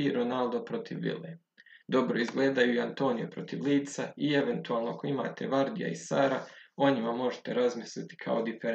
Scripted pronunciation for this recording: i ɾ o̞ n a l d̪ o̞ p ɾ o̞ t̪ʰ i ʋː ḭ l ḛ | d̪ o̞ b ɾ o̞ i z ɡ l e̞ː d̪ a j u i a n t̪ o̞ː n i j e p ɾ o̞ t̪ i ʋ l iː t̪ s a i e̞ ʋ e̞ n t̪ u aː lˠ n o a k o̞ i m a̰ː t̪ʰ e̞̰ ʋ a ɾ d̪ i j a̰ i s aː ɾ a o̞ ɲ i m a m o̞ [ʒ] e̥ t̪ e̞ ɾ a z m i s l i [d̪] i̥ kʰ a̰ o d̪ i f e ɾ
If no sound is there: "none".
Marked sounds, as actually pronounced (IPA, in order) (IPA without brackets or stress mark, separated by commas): ʒ, t̪